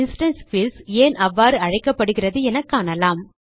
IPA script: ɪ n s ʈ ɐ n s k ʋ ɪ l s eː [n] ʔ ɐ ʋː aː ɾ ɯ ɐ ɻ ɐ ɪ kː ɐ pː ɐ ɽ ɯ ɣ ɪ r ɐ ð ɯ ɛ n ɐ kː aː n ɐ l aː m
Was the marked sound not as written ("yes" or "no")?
no